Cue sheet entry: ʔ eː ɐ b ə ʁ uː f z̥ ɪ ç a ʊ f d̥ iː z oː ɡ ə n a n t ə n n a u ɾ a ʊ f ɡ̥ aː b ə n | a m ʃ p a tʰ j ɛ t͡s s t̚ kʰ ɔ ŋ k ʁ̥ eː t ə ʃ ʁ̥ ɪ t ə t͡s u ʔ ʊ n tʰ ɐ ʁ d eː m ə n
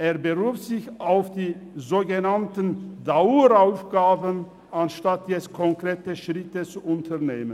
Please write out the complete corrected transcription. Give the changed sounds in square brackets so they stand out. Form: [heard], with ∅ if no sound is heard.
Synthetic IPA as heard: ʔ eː ɐ b ə ʁ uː f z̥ ɪ ç a ʊ f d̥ iː z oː ɡ ə n a n t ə n [d] a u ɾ a ʊ f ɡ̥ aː b ə n | a [n] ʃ [t] a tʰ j ɛ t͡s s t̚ kʰ ɔ ŋ k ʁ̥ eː t ə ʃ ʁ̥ ɪ t ə t͡s u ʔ ʊ n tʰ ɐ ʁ [n] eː m ə n

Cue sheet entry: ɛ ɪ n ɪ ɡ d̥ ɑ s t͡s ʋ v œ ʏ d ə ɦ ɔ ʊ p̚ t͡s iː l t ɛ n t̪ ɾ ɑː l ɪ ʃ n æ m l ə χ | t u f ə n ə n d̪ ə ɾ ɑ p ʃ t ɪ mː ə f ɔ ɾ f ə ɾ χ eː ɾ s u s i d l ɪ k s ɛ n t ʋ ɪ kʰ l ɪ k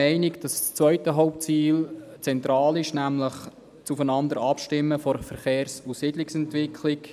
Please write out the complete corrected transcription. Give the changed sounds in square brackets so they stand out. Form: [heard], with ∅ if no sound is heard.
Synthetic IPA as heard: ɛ ɪ n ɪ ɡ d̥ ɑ s t͡s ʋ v œ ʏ [t] ə ɦ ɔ ʊ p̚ t͡s iː l [t͡s] ɛ n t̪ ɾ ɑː l ɪ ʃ n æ m l ə χ | [t͡s] u f ə n [ɑ] n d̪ ə ɾ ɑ p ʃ t ɪ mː ə f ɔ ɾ f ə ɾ χ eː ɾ s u s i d l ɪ k s ɛ n t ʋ ɪ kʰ l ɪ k

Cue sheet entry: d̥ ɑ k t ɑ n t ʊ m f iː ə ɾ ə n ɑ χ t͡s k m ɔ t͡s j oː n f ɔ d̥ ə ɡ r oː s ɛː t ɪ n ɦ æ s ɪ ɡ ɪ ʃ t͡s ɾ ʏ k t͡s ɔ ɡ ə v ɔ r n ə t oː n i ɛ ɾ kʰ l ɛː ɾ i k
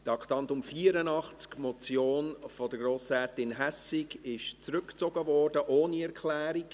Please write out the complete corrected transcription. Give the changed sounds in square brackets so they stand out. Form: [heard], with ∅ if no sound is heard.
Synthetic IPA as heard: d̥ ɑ k t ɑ n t ʊ m f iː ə ɾ ə n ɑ χ t͡s k m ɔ t͡s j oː n f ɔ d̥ ə ɡ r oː s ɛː t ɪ n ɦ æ s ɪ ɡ ɪ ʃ t͡s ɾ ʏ k t͡s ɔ ɡ ə v ɔ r [d] ə [ʔ] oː n i ɛ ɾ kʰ l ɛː ɾ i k

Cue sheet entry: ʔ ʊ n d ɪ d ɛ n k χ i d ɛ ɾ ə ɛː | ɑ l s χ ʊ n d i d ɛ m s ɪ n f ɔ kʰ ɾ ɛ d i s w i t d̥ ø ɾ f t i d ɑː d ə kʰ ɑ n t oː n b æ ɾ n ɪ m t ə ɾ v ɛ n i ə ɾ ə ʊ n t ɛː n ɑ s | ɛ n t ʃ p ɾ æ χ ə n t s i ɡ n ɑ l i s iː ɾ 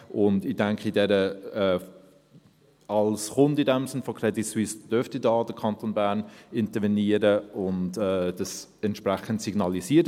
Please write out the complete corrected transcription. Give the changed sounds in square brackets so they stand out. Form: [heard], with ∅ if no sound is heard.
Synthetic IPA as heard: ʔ ʊ n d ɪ d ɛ [ŋ] k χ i d ɛ ɾ ə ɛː | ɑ l s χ ʊ n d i d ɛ m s ɪ n f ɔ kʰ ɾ ɛ d i s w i [s] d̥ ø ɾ f t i d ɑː d ə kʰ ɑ n t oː n b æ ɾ n ɪ [n] t ə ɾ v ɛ n i ə ɾ ə ʊ n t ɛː [d] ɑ s | ɛ n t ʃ p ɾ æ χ ə n t s i ɡ n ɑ l i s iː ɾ

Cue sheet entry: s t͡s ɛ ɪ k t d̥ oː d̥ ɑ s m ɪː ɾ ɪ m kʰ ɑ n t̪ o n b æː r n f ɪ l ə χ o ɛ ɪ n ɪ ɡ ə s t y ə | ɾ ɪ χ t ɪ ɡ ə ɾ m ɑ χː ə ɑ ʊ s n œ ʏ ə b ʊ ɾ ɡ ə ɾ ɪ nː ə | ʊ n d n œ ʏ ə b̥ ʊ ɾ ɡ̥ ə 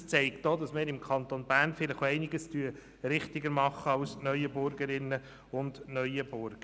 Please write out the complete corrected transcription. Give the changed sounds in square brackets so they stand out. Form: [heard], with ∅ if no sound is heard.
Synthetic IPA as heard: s t͡s ɛ ɪ k t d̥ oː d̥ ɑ s m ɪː ɾ ɪ m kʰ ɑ n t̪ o n b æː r n f ɪ l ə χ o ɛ ɪ n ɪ ɡ ə s t y ə | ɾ ɪ χ t ɪ ɡ ə ɾ m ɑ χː ə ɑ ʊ s n œ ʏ ə b ʊ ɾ ɡ ə ɾ ɪ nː ə | ʊ n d n œ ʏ ə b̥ ʊ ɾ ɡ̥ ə

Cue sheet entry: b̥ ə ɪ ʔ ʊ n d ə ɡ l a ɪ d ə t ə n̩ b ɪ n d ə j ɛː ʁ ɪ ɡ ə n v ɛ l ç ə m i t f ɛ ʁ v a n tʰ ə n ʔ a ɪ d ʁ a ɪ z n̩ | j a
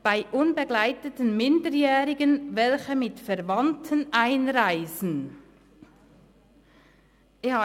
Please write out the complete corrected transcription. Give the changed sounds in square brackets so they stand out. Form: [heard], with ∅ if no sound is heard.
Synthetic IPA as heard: b̥ [a] ɪ ʔ ʊ n [b] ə ɡ l a ɪ [t] ə t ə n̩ [m] ɪ n d ə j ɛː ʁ ɪ ɡ ə n v ɛ l ç ə m [ɪ] t f ɛ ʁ v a n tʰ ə n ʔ a ɪ [n] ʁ a ɪ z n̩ | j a

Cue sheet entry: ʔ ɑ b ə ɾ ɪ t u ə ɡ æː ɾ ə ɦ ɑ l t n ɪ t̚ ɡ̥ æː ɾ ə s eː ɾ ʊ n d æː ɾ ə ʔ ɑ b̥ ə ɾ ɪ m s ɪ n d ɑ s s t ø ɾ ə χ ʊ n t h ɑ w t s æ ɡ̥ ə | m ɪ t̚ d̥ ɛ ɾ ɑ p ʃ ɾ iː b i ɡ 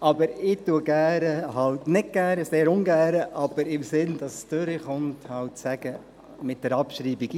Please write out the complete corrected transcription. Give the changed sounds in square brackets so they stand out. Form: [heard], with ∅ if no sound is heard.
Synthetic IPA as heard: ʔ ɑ b ə ɾ ɪ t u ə ɡ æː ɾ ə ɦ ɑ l t n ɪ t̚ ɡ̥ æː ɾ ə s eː ɾ ʊ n [ɡ] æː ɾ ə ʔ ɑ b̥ ə ɾ ɪ m s ɪ n d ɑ s s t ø ɾ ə χ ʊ n t h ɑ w t s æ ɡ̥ ə | m ɪ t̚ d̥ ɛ ɾ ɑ p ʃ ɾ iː b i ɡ

